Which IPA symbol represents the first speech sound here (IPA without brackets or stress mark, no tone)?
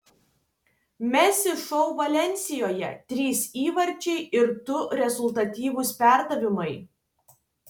mʲ